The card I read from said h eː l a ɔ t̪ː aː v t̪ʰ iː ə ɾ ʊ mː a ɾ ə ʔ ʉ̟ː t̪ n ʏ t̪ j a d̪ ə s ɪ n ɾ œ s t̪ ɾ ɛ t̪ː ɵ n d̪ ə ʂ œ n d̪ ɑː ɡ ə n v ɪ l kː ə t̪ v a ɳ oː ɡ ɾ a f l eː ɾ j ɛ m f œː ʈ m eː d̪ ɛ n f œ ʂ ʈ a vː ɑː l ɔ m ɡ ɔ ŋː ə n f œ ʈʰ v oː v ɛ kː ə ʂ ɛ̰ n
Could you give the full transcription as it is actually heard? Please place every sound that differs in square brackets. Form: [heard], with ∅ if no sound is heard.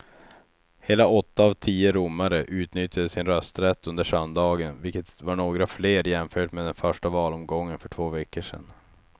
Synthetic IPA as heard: h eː l a ɔ t̪ː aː v t̪ʰ iː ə ɾ ʊ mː a ɾ ə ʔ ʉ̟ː t̪ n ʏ t̪ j a d̪ ə s ɪ n ɾ œ s t̪ ɾ ɛ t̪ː ɵ n d̪ ə ʂ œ n d̪ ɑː ɡ ə n v ɪ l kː ə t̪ v a ɳ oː ɡ ɾ a f l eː ɾ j ɛ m f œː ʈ m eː d̪ ɛ n f œ ʂ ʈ a [v] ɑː l ɔ m ɡ ɔ ŋː ə n f œ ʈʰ v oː v ɛ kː ə ʂ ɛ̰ n